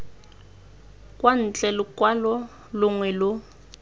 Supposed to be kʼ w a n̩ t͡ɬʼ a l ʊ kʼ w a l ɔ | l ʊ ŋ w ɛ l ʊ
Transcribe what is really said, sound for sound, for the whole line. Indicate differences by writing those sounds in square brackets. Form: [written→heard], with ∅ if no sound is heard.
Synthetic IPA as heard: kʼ w a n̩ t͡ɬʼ [a→ɛ] l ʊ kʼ w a l ɔ | l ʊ ŋ w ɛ l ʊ